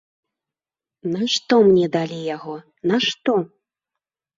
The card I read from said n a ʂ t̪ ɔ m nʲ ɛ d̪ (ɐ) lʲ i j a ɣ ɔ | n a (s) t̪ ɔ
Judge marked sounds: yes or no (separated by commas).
no, no